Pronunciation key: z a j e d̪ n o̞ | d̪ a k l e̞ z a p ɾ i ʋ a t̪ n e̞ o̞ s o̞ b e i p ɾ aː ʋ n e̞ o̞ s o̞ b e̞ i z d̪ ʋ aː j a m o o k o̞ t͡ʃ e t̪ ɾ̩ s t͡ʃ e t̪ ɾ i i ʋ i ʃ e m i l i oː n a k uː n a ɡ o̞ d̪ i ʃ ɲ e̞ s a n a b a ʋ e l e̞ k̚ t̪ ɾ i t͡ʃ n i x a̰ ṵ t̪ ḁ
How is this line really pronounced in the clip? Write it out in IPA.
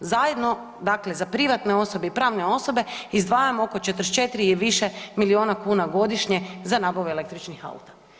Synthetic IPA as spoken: z a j e d̪ n o̞ | d̪ a k l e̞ z a p ɾ i ʋ a t̪ n e̞ o̞ s o̞ b e i p ɾ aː ʋ n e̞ o̞ s o̞ b e̞ i z d̪ ʋ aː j a m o o k o̞ t͡ʃ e t̪ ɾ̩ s t͡ʃ e t̪ ɾ i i ʋ i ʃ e m i l i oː n a k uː n a ɡ o̞ d̪ i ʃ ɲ e̞ z a n a b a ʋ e l e̞ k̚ t̪ ɾ i t͡ʃ n i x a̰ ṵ t̪ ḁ